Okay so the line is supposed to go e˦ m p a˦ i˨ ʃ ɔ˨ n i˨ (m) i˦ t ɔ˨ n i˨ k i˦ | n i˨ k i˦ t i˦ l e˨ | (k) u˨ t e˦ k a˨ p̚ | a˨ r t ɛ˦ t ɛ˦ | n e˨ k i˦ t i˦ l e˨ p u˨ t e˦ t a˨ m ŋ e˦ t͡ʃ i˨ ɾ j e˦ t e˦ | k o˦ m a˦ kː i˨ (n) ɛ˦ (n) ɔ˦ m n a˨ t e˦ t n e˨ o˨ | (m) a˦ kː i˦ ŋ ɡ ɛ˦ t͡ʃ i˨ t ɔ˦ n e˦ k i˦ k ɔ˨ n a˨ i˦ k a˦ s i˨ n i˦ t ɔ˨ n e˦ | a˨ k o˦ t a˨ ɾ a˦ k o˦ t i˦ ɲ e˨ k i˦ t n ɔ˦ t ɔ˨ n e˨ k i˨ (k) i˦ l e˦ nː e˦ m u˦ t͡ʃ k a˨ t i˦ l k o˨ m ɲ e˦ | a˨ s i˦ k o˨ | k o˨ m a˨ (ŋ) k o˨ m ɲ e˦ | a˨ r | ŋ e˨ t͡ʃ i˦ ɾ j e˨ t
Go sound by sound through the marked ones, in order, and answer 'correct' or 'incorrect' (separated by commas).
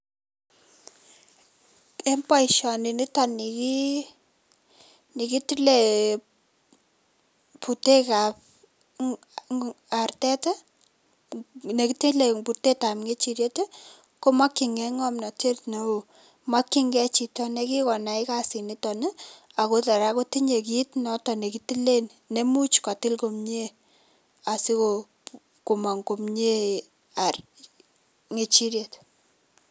incorrect, incorrect, incorrect, incorrect, correct, incorrect, correct